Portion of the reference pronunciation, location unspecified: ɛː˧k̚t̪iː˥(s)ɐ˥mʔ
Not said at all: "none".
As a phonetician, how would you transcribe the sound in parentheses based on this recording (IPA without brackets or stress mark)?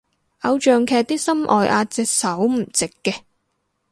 s